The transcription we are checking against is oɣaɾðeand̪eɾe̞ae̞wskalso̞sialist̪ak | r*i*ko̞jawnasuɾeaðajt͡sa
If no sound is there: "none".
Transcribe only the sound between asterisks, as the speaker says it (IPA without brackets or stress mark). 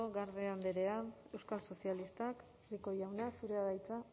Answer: i